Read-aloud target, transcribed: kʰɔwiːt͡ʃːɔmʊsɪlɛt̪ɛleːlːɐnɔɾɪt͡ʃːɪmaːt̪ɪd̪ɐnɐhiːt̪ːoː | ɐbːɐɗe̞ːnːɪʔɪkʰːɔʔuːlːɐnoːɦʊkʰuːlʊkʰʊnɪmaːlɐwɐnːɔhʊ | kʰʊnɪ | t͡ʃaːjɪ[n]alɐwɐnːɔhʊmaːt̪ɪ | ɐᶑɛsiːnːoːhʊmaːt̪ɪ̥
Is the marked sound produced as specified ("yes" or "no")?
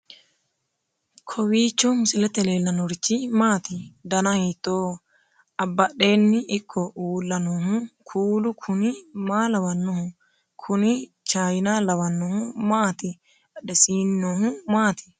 yes